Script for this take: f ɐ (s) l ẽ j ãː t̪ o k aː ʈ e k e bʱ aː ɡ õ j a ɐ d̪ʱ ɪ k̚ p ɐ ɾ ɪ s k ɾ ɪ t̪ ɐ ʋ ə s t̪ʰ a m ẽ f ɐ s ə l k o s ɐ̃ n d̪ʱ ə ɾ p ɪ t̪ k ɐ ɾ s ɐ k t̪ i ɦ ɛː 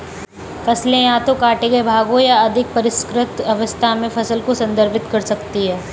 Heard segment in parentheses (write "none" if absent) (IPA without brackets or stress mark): s